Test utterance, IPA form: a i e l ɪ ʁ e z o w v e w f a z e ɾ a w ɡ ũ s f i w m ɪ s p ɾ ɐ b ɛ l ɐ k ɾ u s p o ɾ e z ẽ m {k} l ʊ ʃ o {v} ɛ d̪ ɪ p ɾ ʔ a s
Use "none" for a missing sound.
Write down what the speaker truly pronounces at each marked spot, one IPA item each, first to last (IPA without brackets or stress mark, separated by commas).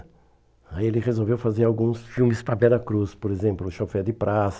p, f